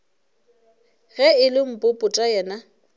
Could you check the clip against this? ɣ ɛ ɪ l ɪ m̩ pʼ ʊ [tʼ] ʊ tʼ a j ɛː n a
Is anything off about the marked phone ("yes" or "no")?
yes